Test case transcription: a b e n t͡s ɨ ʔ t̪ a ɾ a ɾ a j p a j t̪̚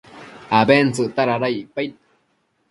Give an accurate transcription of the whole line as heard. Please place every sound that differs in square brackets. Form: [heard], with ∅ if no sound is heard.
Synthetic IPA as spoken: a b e n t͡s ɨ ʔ t̪ a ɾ a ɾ a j p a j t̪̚